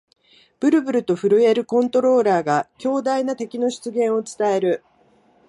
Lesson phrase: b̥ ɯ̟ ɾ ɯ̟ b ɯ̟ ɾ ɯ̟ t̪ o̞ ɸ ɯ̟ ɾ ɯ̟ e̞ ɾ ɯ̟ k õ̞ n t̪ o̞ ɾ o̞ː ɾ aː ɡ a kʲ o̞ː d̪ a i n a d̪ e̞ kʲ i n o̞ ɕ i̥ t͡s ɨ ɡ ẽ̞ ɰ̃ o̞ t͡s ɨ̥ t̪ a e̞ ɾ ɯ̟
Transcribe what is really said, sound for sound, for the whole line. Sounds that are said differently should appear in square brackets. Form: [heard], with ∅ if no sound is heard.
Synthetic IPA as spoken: b̥ ɯ̟ ɾ ɯ̟ b ɯ̟ ɾ ɯ̟ t̪ o̞ ɸ ɯ̟ ɾ ɯ̟ e̞ ɾ ɯ̟ k õ̞ n t̪ o̞ ɾ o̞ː ɾ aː ɡ a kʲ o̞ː d̪ a i n a [t̪] e̞ kʲ i n o̞ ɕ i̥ t͡s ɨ ɡ ẽ̞ ɰ̃ o̞ t͡s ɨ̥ t̪ a e̞ ɾ ɯ̟

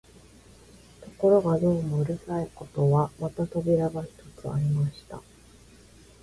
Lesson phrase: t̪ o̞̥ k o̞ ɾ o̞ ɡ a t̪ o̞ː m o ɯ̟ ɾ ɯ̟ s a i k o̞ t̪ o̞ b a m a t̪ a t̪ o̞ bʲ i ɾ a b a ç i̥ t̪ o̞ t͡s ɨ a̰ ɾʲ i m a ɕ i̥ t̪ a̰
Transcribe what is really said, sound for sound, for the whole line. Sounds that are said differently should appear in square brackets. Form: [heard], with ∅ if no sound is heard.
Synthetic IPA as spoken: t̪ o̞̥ k o̞ ɾ o̞ ɡ a [d̪] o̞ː m o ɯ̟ ɾ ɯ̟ s a i k o̞ t̪ o̞ [β] a m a t̪ a t̪ o̞ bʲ i ɾ a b a ç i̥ t̪ o̞ t͡s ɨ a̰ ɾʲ i m a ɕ i̥ t̪ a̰

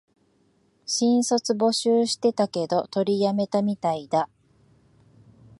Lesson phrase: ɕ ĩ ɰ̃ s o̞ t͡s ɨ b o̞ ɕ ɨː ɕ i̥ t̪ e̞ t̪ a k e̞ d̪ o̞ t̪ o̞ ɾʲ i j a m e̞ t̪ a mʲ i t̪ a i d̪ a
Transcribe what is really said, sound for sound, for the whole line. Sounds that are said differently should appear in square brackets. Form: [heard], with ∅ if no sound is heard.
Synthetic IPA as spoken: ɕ ĩ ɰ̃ s o̞ t͡s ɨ b o̞ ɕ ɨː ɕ i̥ t̪ e̞ t̪ a k e̞ d̪ o̞ t̪ o̞ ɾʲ i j a m e̞ t̪ a mʲ i t̪ a i d̪ a

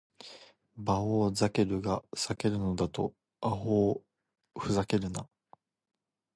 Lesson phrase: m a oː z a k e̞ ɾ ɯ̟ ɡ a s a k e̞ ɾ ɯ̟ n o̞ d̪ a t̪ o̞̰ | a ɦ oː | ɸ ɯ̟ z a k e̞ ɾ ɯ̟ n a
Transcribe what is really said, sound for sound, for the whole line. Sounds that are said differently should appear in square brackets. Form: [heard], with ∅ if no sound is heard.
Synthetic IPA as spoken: [b] a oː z a k e̞ ɾ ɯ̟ ɡ a s a k e̞ ɾ ɯ̟ n o̞ d̪ a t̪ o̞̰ | a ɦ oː | ɸ ɯ̟ z a k e̞ ɾ ɯ̟ n a

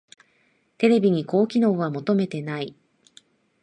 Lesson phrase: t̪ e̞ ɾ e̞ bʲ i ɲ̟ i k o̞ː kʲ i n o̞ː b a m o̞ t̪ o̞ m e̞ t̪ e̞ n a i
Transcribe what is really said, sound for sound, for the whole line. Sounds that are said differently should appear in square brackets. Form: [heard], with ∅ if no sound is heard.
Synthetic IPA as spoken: t̪ e̞ ɾ e̞ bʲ i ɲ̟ i k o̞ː kʲ i n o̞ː [β] a m o̞ t̪ o̞ m e̞ t̪ e̞ n a i

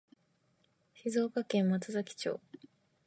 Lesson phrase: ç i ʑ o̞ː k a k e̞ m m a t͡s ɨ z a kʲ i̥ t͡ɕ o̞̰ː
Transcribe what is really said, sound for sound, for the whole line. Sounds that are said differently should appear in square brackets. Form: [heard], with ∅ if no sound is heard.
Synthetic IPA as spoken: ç i [z] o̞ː k a k [ẽ̞] m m a t͡s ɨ z a kʲ i̥ t͡ɕ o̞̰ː

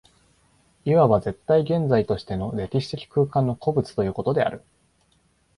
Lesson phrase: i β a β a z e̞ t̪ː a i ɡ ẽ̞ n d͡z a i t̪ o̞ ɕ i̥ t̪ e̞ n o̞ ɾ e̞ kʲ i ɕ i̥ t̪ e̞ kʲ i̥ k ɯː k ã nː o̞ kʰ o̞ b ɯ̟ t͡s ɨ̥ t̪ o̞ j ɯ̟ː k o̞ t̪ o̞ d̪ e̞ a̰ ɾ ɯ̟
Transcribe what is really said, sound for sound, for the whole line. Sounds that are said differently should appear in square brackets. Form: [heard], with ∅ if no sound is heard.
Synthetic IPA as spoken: i β a β a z e̞ t̪ː a i ɡ ẽ̞ n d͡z a i t̪ o̞ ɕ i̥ t̪ e̞ n o̞ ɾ e̞ kʲ i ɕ i̥ t̪ e̞ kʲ i̥ k ɯː k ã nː o̞ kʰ o̞ b ɯ̟ t͡s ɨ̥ t̪ o̞ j ɯ̟ː k o̞ t̪ o̞ d̪ e̞ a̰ ɾ ɯ̟

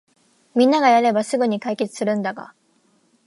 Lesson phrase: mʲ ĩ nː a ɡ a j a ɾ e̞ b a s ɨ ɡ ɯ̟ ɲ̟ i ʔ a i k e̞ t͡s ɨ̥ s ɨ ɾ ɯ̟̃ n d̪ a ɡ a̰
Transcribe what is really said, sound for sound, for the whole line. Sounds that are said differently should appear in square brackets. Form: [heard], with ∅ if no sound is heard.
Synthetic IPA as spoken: mʲ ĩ nː a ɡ a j a ɾ e̞ b a s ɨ ɡ ɯ̟ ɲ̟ i [k] a i k e̞ t͡s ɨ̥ s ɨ ɾ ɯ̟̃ n d̪ a ɡ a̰

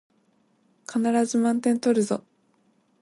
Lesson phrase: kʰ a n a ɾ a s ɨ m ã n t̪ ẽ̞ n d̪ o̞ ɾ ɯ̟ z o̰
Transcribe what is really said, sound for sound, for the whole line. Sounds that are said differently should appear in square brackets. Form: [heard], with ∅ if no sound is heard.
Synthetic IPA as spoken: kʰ a n a ɾ a [z] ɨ m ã n t̪ ẽ̞ n [t̪] o̞ ɾ ɯ̟ z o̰

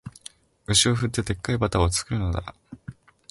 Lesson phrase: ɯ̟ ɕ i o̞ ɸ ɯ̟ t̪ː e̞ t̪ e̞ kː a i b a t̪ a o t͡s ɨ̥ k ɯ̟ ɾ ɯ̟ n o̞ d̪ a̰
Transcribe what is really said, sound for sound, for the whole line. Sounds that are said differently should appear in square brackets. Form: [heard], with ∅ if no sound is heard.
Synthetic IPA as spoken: ɯ̟ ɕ i o̞ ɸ ɯ̟ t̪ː e̞ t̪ e̞ kː a i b a t̪ a o t͡s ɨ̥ k ɯ̟ ɾ ɯ̟ n o̞ d̪ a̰

